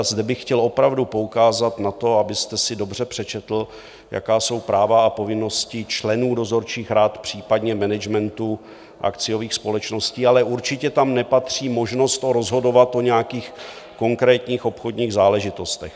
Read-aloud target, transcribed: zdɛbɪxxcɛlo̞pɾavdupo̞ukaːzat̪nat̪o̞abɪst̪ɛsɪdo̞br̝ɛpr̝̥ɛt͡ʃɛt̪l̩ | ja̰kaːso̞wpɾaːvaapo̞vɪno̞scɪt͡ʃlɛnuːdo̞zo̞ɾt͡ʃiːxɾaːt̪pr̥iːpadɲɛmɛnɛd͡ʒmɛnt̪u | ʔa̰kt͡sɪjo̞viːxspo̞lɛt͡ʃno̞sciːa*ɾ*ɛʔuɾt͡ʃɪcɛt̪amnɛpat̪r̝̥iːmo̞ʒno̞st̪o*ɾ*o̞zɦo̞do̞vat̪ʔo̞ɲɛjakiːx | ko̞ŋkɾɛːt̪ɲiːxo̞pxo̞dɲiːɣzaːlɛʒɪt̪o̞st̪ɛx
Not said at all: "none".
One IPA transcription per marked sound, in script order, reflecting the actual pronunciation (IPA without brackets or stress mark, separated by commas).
l, ɾ